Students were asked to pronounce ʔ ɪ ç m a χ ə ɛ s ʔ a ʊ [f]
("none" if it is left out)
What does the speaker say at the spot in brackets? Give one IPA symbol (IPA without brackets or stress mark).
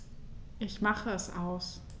s